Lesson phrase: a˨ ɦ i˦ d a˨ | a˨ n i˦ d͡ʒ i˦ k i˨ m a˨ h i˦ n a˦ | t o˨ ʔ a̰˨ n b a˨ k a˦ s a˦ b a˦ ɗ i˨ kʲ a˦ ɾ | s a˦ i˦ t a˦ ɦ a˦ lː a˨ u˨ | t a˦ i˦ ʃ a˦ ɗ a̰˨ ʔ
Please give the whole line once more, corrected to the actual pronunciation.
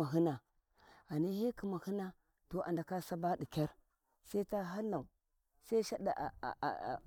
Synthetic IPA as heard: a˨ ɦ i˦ n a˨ | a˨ n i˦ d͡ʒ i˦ k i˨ m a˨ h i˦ n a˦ | t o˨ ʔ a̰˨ n d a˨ k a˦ s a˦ b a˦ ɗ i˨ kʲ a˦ ɾ | s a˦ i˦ t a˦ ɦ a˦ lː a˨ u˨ | s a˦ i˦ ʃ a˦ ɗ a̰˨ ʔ